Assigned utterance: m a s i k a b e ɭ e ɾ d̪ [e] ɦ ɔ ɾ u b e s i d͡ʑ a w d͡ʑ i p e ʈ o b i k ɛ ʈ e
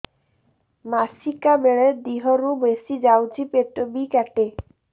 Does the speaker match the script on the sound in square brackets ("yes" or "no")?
no